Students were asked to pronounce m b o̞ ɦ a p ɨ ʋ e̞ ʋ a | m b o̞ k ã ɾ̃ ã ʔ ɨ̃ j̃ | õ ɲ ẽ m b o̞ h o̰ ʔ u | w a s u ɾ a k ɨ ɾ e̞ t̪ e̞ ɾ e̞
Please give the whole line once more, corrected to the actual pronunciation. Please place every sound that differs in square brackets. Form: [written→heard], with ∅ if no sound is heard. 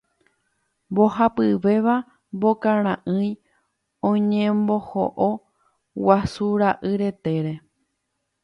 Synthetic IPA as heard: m b o̞ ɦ a p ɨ ʋ e̞ ʋ a | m b o̞ k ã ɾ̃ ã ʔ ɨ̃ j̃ | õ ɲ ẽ m b o̞ h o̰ ʔ [u→o] | w a s u ɾ a [k→ʔ] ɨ ɾ e̞ t̪ e̞ ɾ e̞